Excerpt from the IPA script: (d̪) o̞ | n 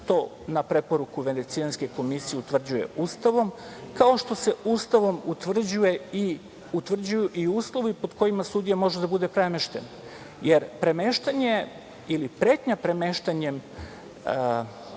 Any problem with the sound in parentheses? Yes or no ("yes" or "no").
yes